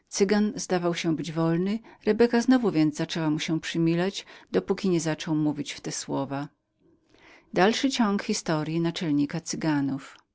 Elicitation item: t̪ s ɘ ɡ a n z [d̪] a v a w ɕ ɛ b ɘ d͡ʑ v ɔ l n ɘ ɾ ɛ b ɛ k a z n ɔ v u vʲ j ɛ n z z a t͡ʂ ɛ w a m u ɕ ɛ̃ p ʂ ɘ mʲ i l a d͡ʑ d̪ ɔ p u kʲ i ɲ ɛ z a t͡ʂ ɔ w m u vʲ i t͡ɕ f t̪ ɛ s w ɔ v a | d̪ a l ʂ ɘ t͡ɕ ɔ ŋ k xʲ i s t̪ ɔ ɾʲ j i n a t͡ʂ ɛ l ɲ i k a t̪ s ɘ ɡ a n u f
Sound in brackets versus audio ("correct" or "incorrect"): correct